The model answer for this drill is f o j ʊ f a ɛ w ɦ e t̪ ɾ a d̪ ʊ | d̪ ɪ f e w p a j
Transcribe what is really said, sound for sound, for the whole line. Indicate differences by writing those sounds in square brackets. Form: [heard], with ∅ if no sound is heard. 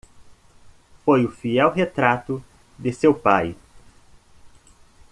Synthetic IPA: f o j ʊ f [i] ɛ w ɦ e t̪ ɾ a [t̪] ʊ | d̪ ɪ [s] e w p a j